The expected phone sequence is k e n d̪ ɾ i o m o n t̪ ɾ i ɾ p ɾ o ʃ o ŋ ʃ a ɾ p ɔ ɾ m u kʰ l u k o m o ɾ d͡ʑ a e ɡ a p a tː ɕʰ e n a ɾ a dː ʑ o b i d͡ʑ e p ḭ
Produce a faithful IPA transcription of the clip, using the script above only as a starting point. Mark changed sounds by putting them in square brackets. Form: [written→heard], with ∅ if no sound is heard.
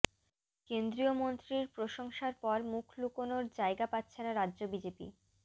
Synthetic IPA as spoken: k e n d̪ ɾ i o m o n t̪ ɾ i ɾ p ɾ o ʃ o ŋ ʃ a ɾ p ɔ ɾ m u kʰ l u k o [m→n] o ɾ d͡ʑ a e ɡ a p a tː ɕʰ e n a ɾ a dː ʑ o b i d͡ʑ e p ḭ